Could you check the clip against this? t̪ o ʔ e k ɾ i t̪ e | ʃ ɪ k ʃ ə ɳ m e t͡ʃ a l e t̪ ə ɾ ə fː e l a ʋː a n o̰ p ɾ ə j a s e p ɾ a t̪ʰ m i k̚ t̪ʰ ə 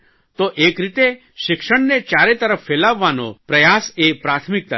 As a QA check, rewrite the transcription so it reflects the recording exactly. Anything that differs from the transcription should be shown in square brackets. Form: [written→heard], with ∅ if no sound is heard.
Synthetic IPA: t̪ o ʔ e k ɾ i t̪ e | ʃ ɪ k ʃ ə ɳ [m→n] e t͡ʃ a [l→ɾ] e t̪ ə ɾ ə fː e l a ʋː a n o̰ p ɾ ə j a s e p ɾ a t̪ʰ m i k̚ [t̪ʰ→t̪] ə